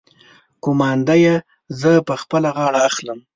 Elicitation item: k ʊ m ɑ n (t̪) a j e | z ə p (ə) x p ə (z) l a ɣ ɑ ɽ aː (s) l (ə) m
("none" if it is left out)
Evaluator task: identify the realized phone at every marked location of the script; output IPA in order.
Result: d̪, ə, none, x, ə

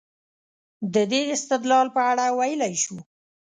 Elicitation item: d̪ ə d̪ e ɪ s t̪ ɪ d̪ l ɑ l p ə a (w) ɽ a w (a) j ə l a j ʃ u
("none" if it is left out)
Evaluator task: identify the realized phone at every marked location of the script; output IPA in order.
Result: none, a

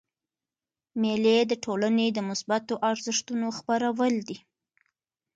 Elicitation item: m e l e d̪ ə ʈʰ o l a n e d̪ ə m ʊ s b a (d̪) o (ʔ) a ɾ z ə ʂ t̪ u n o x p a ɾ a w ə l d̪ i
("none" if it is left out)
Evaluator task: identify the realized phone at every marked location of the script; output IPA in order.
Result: t̪, ʔ

